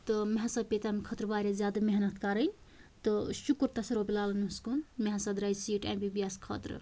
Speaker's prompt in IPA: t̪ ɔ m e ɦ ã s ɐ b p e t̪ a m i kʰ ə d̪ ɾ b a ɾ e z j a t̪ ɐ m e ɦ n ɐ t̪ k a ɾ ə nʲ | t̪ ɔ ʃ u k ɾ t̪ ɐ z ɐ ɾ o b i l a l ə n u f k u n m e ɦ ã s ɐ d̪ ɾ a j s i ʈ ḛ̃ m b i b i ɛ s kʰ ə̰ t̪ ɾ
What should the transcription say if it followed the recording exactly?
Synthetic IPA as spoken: t̪ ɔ m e ɦ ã s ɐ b p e t̪ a m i kʰ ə t̪ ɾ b a ɾ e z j a d̪ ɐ m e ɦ n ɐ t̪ k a ɾ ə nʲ | t̪ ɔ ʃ u k ɾ t̪ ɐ s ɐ ɾ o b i l a l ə n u s k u n m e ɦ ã s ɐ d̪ ɾ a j s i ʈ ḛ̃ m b i b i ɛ s kʰ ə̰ t̪ ɾ